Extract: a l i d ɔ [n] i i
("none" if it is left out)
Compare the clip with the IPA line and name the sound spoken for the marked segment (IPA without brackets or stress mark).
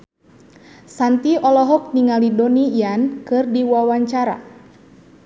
n